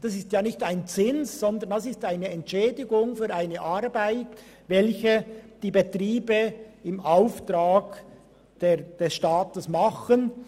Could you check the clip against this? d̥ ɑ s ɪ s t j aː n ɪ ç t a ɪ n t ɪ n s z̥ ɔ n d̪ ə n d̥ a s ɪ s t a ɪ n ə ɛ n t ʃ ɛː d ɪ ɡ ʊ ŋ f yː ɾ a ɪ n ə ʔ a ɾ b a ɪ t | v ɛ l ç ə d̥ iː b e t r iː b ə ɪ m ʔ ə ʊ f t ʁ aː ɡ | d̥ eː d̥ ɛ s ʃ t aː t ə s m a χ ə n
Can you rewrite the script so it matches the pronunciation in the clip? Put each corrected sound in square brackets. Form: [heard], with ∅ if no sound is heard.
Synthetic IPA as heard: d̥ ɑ s ɪ s t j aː n ɪ ç t a ɪ n [t͡s] ɪ n s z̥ ɔ n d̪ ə n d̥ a s ɪ s t a ɪ n ə ɛ n t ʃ ɛː d ɪ ɡ ʊ ŋ f yː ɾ a ɪ n ə ʔ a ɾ b a ɪ t | v ɛ l ç ə d̥ iː b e t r iː b ə ɪ m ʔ [a] ʊ f t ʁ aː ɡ | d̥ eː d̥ ɛ s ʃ t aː t ə s m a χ ə n